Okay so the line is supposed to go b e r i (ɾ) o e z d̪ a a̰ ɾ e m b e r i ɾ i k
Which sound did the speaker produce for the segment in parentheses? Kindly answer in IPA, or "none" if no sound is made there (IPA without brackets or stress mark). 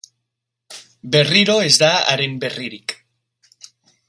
ɾ